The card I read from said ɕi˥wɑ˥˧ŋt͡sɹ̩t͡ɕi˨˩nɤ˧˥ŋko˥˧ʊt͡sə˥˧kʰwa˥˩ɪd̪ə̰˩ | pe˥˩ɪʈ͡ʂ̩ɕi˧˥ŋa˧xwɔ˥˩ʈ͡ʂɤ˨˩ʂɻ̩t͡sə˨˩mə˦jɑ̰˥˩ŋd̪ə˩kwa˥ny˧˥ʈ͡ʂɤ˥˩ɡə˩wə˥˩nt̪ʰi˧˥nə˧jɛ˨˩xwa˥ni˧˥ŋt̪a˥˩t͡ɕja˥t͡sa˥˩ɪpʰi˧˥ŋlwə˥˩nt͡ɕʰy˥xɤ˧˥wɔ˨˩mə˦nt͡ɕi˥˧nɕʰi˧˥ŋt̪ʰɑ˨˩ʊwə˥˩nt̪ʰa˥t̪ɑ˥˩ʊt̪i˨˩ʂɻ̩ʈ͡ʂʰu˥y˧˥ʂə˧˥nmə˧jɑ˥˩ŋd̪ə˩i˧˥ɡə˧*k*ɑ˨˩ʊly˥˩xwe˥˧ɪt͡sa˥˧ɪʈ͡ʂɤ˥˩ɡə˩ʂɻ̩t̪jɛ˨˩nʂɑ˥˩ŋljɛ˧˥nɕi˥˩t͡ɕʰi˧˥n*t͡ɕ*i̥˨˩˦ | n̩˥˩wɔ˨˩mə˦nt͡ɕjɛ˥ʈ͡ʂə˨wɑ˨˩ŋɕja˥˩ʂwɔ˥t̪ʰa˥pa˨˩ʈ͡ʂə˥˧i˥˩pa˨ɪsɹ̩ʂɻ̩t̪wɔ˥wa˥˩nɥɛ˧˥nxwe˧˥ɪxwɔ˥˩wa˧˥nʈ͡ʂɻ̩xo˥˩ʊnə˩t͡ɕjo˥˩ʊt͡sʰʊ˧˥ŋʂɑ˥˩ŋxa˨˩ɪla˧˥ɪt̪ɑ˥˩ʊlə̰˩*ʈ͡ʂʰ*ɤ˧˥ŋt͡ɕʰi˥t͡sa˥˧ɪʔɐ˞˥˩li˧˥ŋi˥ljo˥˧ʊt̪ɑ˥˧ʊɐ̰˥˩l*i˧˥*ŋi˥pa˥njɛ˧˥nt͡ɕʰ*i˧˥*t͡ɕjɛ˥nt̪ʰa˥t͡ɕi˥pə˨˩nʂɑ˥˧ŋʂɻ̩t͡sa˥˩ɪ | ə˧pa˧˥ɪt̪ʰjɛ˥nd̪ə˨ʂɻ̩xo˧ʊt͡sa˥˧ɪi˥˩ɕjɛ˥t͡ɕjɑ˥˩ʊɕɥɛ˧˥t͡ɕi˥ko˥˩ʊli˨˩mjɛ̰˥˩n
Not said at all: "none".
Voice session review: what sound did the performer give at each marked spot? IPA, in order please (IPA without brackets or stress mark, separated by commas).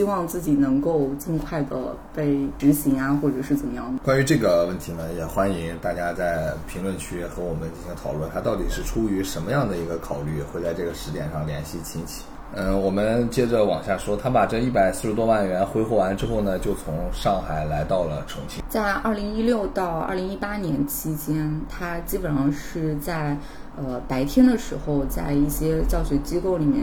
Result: kʰ, t͡ɕʰ, ʈ͡ʂʰ, i˧˥, i˥